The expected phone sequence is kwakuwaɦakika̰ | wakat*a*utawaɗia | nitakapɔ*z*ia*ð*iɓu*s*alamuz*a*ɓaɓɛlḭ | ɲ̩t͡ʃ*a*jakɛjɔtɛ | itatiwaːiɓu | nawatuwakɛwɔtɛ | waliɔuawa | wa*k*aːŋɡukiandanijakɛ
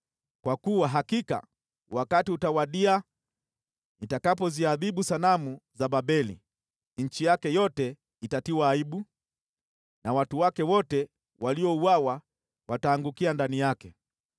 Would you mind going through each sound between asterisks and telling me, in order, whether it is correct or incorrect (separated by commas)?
incorrect, correct, correct, correct, correct, incorrect, incorrect